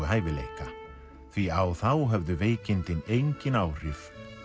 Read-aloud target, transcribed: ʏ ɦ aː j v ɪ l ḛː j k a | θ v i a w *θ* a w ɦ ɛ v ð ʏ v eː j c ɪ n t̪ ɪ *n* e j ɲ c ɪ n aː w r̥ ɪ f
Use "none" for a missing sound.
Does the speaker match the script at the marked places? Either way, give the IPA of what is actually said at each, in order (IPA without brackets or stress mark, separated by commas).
θ, n